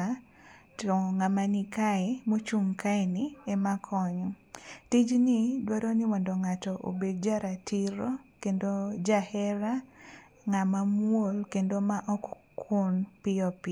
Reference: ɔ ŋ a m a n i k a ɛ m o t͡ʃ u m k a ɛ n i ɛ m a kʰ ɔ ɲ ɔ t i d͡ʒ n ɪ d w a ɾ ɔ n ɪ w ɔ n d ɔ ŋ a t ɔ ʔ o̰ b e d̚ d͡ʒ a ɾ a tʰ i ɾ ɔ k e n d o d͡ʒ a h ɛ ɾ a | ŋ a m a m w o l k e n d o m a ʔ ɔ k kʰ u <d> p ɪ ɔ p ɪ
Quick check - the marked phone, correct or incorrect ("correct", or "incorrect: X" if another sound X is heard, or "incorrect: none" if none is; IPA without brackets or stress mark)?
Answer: incorrect: n